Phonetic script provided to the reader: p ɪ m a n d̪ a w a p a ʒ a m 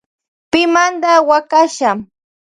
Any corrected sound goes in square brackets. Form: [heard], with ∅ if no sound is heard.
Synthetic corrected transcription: p ɪ m a n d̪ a w a [k] a [ʃ] a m

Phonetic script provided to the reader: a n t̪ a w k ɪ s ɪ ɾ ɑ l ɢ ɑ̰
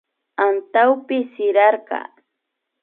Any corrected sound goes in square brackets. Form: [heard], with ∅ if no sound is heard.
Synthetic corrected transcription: a n t̪ a w [p] ɪ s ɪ ɾ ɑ [ɾ] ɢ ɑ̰

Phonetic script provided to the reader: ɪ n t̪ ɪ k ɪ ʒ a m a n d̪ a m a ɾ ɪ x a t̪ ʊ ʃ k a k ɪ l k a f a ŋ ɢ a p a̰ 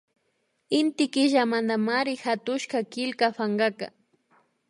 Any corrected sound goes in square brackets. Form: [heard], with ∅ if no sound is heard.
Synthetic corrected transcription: ɪ n t̪ ɪ k ɪ ʒ a m a n d̪ a m a ɾ ɪ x a t̪ ʊ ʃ k a k ɪ l k a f a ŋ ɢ a [k] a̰

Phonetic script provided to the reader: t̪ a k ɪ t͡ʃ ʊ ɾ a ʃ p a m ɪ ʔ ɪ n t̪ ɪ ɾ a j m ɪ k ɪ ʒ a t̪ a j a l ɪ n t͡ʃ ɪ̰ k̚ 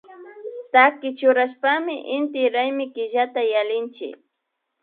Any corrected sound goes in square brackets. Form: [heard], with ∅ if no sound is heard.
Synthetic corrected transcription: t̪ a k ɪ t͡ʃ ʊ ɾ a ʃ p a m ɪ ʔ ɪ n t̪ ɪ ɾ a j m ɪ k ɪ ʒ a t̪ a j a l ɪ n t͡ʃ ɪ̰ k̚

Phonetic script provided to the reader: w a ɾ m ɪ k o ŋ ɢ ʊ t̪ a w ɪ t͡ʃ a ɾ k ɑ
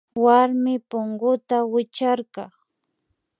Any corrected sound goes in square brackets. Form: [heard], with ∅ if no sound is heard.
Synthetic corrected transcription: w a ɾ m ɪ [p] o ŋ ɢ ʊ t̪ a w ɪ t͡ʃ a ɾ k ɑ

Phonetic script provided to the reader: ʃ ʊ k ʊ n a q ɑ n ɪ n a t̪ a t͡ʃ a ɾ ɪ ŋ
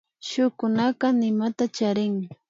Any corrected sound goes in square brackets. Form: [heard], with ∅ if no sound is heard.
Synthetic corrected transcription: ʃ ʊ k ʊ n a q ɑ n ɪ [m] a t̪ a t͡ʃ a ɾ ɪ ŋ

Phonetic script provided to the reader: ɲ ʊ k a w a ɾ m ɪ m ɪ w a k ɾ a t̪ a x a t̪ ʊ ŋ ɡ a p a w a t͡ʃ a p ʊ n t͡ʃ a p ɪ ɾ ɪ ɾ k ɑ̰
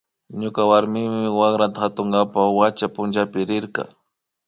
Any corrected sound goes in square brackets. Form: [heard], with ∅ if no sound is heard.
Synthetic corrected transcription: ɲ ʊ k a w a ɾ m ɪ m ɪ w a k ɾ a t̪ a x a t̪ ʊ ŋ ɡ a p a w a t͡ʃ a p ʊ n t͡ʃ a p ɪ ɾ ɪ ɾ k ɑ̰

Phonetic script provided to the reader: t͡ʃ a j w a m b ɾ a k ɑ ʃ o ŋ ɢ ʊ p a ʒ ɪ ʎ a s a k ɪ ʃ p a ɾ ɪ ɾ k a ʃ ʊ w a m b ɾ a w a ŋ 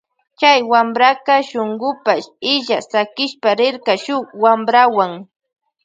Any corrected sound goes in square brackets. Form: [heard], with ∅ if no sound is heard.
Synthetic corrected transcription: t͡ʃ a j w a m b ɾ a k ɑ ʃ o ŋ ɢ ʊ p a [ʃ] ɪ ʎ a s a k ɪ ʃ p a ɾ ɪ ɾ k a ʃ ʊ w a m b ɾ a w a ŋ

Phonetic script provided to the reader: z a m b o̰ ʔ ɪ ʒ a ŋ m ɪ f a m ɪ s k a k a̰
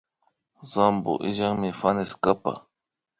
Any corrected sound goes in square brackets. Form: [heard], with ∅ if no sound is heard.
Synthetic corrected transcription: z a m b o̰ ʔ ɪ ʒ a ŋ m ɪ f a [n] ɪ s k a [p] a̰

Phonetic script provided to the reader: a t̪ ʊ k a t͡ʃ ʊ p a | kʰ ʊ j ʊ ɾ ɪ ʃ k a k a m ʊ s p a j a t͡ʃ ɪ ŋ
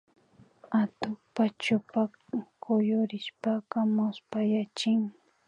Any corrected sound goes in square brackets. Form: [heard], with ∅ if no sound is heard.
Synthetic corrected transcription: a t̪ ʊ [p] a t͡ʃ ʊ p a | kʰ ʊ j ʊ ɾ ɪ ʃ [p] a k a m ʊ s p a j a t͡ʃ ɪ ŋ

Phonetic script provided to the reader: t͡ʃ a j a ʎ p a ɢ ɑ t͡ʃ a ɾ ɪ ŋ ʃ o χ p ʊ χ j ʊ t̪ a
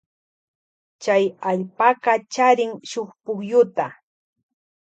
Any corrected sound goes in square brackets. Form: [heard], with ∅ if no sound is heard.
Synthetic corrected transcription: t͡ʃ a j a ʎ p a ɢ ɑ t͡ʃ a ɾ ɪ ŋ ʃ o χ p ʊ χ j ʊ t̪ a

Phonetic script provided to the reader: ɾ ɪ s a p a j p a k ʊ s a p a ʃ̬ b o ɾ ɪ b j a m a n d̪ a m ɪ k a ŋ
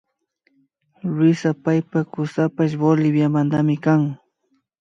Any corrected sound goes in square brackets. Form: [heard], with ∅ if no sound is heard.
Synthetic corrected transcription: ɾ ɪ s a p a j p a k ʊ s a p a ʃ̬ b o [l] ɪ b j a m a n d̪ a m ɪ k a ŋ

